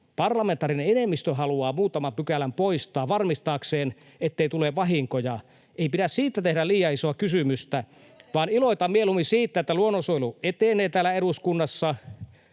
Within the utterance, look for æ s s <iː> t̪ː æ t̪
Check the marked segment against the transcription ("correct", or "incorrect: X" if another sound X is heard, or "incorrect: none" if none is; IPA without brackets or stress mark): correct